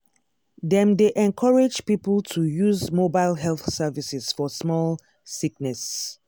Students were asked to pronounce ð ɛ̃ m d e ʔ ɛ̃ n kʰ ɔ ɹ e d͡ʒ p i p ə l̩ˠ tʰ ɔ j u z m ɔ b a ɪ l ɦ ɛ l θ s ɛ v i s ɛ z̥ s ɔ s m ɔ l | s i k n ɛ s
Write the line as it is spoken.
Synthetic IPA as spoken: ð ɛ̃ m d e ʔ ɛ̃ n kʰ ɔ ɹ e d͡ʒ p i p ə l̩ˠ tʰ u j u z m o b a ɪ l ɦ ɛ l θ s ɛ v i s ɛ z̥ f ɔ s m ɔ l | s i k n ɛ s